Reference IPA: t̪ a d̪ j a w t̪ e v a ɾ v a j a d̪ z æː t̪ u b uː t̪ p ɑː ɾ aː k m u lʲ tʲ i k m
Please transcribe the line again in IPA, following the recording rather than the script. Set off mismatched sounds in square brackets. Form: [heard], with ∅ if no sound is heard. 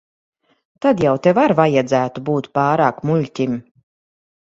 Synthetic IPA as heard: t̪ a d̪ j a w t̪ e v a ɾ v a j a d̪ z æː t̪ u b uː t̪ p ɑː ɾ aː k m u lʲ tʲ i [∅] m